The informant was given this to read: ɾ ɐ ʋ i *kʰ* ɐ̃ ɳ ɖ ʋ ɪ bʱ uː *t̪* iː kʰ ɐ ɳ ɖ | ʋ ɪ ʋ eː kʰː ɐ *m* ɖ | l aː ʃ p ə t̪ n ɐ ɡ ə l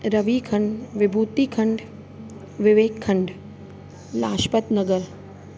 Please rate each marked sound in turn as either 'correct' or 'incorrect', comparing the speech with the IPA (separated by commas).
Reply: correct, correct, incorrect